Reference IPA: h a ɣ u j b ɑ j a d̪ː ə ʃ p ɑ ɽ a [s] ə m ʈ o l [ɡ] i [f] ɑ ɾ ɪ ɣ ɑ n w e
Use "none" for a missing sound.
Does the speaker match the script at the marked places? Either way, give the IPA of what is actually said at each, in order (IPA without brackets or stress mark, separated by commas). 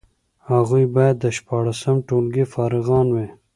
s, ɡ, f